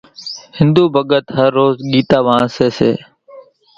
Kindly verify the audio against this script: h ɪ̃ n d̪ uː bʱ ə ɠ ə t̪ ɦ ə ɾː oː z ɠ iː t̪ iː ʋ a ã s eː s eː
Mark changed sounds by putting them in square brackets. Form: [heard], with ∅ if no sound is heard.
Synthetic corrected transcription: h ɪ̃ n d̪ uː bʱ ə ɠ ə t̪ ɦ ə ɾː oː z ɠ iː t̪ [aː] ʋ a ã s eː s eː